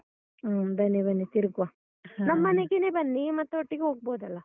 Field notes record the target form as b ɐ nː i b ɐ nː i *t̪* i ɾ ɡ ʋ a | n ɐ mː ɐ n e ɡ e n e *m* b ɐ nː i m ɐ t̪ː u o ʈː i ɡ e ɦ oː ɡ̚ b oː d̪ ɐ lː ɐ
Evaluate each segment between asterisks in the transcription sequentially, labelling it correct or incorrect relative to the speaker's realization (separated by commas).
correct, incorrect